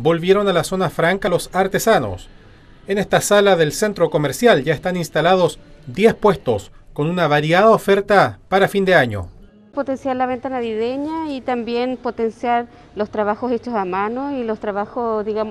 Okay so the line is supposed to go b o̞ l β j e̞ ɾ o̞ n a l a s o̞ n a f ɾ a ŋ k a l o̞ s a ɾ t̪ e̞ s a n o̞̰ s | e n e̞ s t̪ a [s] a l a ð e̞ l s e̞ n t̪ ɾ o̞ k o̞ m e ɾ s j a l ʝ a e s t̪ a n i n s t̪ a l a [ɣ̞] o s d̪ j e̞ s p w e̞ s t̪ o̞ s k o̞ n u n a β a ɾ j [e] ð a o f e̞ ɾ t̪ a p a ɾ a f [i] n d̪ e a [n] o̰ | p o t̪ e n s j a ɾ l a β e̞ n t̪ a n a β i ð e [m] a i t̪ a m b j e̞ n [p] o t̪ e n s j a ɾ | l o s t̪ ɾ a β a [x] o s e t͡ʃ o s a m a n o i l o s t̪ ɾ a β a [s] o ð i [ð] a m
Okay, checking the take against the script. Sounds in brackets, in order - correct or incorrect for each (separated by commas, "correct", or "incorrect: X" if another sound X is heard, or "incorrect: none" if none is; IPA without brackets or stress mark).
correct, incorrect: ð̞, incorrect: a, correct, incorrect: ɲ, incorrect: ɲ, correct, correct, incorrect: x, incorrect: ɣ